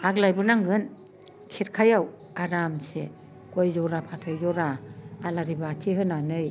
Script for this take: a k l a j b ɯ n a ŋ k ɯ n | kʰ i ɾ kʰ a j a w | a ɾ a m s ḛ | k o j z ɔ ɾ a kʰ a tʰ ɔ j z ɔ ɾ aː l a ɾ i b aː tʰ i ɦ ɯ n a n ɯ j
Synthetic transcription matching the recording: a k l a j b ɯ n a ŋ ɡ ɯ n | kʰ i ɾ kʰ a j a w | a ɾ a m s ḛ | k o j z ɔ ɾ a pʰ a tʰ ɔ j z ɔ ɾ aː l a ɾ i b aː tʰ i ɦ ɯ n a n ɯ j